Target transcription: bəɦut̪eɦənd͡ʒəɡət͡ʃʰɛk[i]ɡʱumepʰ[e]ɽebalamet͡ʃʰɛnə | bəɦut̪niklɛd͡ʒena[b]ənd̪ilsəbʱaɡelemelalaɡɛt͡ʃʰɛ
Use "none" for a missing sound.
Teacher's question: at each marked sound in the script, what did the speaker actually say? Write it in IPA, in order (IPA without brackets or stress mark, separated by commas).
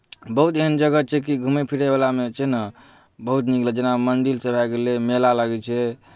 i, i, m